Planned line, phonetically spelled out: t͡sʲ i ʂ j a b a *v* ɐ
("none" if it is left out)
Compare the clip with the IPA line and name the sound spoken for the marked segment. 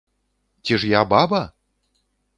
b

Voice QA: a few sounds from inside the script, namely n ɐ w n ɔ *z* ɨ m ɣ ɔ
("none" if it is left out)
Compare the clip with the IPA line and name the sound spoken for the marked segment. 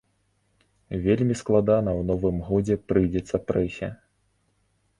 v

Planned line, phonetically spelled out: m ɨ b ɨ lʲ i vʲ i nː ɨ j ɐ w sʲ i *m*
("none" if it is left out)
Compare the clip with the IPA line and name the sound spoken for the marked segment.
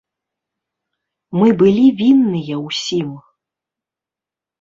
m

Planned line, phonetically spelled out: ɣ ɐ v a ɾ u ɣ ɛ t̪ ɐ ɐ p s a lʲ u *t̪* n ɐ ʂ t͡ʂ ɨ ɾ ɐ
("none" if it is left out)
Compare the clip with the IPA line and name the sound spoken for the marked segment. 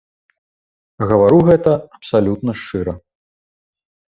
t̪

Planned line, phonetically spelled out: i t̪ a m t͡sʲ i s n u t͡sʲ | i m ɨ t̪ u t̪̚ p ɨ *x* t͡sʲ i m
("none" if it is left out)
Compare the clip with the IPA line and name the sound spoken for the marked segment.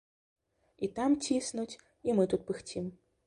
x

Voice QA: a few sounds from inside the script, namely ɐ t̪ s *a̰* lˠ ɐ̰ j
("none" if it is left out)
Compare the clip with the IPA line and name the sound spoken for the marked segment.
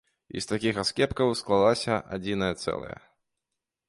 ɛ̰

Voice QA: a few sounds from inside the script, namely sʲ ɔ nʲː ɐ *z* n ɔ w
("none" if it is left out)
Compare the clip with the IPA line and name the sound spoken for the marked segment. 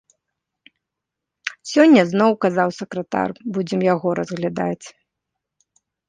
z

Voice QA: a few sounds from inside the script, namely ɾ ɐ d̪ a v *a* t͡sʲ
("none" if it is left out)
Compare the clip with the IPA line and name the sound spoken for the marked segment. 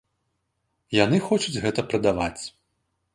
a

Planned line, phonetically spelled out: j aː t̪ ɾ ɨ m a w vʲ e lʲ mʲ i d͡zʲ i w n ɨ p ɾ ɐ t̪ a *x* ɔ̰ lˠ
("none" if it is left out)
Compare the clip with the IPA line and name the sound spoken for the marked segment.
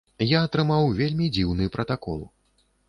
k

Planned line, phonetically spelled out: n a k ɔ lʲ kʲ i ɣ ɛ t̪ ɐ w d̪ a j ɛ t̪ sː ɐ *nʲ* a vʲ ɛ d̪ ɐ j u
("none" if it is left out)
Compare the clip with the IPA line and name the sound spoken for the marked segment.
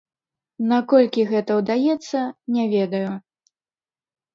nʲ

